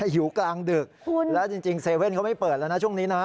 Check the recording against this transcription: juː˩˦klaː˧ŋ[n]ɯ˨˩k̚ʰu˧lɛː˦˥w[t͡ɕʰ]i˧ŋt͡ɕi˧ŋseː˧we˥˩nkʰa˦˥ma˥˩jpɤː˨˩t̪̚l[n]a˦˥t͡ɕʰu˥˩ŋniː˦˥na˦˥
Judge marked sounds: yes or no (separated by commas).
no, no, yes